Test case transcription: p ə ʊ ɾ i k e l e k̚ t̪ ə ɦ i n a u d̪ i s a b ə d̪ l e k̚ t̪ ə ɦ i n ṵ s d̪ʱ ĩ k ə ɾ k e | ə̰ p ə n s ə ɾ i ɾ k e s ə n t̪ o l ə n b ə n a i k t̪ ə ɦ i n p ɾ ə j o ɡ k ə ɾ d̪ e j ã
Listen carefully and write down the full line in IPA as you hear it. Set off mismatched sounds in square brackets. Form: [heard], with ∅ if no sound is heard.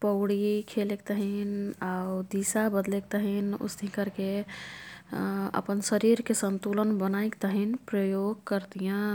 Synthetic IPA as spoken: p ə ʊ [ɽ] i [kʰ] e l e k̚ t̪ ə ɦ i n a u d̪ i s a b ə d̪ l e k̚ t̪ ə ɦ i n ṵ s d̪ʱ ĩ k ə ɾ k e | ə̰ p ə n s ə ɾ i ɾ k e s ə n t̪ [u] l ə n b ə n a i k t̪ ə ɦ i n p ɾ ə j o ɡ k ə ɾ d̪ [i] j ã